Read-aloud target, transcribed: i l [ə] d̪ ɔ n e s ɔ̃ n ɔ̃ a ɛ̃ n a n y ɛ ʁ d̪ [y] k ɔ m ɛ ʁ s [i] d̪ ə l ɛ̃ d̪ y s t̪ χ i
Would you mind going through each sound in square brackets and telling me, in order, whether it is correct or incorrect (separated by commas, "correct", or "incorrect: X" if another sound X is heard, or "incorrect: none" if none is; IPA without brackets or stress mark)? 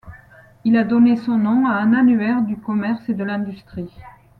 incorrect: a, correct, incorrect: e